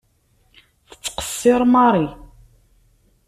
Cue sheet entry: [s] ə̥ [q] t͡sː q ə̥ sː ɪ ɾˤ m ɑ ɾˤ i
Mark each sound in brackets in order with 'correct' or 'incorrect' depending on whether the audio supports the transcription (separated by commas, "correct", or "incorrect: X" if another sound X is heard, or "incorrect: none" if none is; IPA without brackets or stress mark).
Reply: incorrect: θ, correct